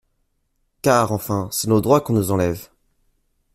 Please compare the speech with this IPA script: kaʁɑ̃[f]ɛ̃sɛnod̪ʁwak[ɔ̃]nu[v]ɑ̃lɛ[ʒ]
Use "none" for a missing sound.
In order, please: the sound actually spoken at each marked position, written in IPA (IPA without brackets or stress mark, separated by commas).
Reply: f, ɔ̃, z, v